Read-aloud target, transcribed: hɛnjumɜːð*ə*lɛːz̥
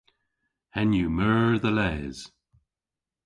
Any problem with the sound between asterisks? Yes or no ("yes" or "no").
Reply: no